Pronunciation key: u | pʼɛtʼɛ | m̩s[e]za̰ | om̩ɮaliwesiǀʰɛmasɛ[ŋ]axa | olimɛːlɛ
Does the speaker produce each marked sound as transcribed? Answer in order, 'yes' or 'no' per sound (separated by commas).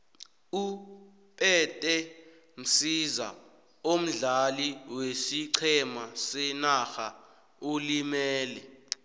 no, no